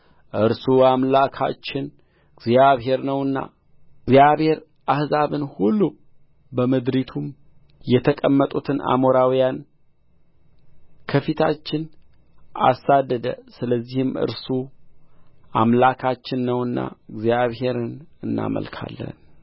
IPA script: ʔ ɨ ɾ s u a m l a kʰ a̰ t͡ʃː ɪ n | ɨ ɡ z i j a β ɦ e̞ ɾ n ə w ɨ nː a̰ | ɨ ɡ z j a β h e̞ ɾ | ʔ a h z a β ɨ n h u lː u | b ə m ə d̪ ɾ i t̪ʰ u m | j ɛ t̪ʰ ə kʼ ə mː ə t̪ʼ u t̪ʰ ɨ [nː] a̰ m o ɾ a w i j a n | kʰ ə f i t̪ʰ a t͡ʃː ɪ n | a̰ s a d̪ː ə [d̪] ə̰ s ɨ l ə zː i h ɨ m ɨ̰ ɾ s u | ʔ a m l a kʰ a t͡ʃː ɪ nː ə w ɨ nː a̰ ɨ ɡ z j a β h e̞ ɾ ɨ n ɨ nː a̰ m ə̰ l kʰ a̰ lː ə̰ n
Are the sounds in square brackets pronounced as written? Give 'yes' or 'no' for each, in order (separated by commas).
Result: no, yes